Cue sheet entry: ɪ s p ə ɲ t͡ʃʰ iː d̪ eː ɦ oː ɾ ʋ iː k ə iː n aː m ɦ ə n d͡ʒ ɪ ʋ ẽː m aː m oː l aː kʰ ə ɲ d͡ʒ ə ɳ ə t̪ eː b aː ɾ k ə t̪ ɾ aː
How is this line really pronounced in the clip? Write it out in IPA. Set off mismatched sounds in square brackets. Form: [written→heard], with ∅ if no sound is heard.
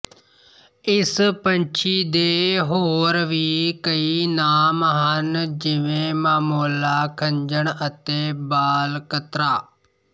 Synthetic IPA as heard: ɪ s p ə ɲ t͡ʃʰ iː d̪ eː ɦ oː ɾ ʋ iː k ə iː n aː m ɦ ə n d͡ʒ ɪ ʋ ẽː m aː m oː l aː kʰ ə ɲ d͡ʒ ə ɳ ə t̪ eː b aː [ɾ→l] k ə t̪ ɾ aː